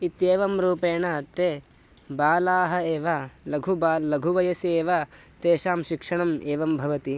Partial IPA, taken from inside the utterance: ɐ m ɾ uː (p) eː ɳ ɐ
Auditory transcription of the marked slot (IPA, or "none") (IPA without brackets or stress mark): p